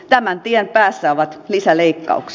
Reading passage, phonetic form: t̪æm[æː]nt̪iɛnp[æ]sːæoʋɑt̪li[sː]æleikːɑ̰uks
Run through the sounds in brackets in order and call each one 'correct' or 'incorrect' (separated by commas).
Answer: incorrect, incorrect, incorrect